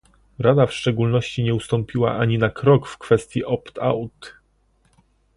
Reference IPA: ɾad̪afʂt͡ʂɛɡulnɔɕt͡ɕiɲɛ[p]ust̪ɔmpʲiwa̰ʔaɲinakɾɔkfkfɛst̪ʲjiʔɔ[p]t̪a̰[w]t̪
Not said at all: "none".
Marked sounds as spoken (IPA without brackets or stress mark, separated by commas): none, p, w